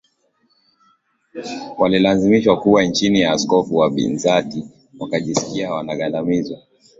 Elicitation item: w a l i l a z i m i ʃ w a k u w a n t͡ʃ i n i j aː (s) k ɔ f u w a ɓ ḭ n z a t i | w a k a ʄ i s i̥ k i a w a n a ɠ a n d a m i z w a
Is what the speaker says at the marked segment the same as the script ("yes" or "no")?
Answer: yes